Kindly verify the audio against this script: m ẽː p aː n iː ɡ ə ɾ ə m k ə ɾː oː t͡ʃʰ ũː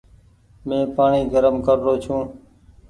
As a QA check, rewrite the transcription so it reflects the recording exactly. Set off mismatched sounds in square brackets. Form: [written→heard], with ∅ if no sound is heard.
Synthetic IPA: m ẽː p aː [n→ɳ] iː ɡ ə ɾ ə m k ə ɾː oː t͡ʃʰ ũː